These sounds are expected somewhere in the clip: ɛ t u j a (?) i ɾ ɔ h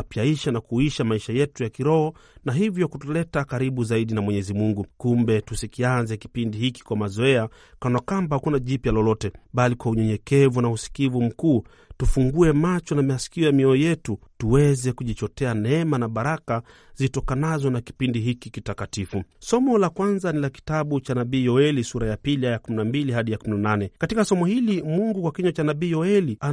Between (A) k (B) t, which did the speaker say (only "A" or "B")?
A